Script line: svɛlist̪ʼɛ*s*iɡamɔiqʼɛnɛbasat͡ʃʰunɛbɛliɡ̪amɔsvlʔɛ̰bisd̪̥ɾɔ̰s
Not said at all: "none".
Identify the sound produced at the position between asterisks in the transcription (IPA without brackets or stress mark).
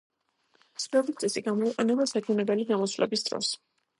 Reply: s